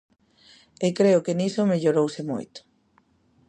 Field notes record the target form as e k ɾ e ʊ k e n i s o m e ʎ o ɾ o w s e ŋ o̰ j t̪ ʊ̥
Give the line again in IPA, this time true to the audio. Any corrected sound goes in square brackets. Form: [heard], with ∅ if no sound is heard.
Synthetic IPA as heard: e k ɾ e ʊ k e n i s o m e ʎ o ɾ o w s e [m] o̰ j t̪ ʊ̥